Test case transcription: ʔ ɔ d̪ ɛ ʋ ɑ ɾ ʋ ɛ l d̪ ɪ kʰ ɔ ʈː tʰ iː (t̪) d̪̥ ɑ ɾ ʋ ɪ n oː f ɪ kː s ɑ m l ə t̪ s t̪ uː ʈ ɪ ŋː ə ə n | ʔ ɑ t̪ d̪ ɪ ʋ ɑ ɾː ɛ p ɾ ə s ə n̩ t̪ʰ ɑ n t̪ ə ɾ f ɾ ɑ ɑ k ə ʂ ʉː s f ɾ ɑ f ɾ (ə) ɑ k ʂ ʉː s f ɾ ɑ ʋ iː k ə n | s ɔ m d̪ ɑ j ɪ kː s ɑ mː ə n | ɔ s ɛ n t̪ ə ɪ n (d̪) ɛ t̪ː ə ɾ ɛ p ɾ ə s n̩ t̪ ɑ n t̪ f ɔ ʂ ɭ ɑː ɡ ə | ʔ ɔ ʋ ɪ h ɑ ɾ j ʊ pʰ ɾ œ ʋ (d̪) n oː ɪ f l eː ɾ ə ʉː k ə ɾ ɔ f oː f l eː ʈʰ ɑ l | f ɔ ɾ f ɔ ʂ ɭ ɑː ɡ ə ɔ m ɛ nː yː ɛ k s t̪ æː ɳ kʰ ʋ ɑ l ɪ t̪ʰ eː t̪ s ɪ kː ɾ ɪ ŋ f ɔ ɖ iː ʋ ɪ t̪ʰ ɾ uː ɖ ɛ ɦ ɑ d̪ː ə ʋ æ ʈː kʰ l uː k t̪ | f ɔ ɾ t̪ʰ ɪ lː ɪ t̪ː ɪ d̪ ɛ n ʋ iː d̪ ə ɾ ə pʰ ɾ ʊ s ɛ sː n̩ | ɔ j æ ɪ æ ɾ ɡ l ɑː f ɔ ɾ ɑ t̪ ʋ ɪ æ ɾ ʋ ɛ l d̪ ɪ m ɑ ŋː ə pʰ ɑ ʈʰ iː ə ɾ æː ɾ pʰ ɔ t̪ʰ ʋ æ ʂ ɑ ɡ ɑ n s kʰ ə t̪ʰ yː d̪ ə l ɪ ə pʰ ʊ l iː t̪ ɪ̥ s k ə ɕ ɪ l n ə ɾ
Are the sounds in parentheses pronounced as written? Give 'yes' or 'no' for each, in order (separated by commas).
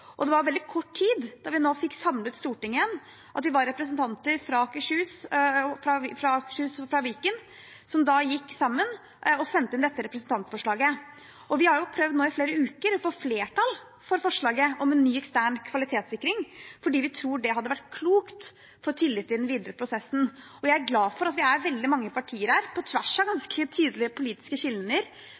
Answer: no, no, yes, yes